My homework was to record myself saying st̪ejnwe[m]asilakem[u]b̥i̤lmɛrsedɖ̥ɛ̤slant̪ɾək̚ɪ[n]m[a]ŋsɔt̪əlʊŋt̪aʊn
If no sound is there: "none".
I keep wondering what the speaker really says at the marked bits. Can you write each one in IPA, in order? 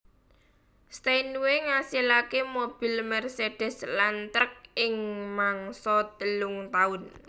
ŋ, o, ŋ, a

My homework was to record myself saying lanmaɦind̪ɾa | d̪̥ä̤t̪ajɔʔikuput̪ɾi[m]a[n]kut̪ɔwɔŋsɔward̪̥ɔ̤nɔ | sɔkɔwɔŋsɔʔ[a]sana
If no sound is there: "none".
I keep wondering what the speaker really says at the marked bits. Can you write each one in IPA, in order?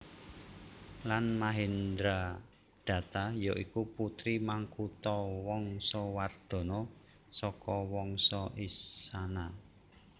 m, ŋ, i

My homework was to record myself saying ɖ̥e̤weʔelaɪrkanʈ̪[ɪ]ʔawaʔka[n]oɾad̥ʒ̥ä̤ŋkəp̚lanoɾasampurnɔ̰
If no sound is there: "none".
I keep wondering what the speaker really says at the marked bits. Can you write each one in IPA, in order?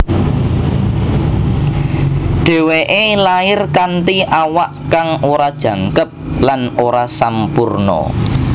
i, ŋ

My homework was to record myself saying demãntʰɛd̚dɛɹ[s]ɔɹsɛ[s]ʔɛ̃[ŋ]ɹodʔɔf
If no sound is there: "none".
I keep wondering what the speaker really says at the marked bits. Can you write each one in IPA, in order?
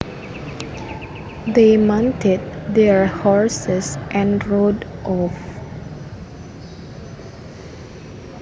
h, s, n

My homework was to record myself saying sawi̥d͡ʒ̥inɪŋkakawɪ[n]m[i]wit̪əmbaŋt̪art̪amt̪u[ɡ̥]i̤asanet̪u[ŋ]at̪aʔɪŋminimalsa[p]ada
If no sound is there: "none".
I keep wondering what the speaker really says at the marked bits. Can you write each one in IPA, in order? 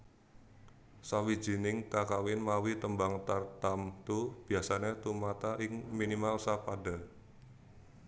n, a, b̥, m, p

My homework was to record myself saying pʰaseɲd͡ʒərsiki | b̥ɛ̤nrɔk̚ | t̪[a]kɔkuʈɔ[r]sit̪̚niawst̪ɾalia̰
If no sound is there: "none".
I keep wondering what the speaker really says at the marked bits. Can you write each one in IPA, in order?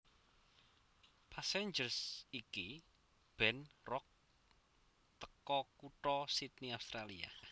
ə, none

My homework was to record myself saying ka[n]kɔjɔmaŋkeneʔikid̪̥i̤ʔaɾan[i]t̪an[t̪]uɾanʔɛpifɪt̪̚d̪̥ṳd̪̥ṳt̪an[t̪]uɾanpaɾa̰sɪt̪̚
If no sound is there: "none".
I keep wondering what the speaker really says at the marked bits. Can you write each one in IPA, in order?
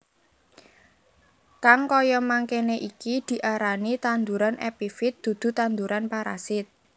ŋ, i, d̪, d̪

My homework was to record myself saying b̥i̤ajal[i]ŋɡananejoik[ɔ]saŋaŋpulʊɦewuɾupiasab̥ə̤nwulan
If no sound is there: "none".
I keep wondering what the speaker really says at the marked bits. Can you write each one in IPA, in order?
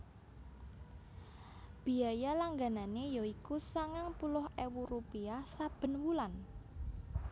a, u

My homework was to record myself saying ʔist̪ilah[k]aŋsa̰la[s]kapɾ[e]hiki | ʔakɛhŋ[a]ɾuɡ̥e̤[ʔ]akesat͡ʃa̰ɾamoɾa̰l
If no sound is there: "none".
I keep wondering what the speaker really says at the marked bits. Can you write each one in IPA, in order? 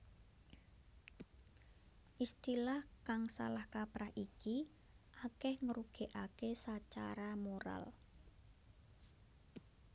k, h, a, ə, ʔ

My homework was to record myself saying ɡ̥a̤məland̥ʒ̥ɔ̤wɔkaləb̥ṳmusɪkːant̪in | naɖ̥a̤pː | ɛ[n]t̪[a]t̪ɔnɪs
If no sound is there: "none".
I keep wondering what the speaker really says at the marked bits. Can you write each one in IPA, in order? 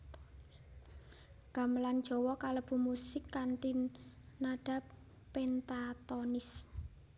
n, a

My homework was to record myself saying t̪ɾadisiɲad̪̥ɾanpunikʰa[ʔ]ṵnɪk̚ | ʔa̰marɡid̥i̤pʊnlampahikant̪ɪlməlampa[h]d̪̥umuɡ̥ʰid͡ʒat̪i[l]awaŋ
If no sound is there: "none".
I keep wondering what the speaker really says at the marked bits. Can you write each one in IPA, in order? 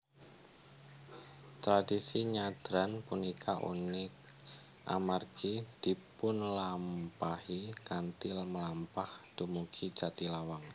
ʔ, h, l

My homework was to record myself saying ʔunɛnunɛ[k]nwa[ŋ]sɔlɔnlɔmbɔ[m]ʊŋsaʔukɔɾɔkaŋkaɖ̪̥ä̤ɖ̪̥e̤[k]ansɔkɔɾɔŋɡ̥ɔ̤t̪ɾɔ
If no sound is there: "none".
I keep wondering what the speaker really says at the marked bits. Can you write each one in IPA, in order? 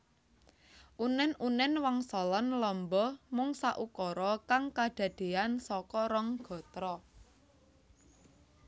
none, ŋ, m, none

